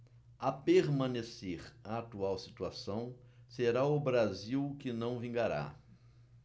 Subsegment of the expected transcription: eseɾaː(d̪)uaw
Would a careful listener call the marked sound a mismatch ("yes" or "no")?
yes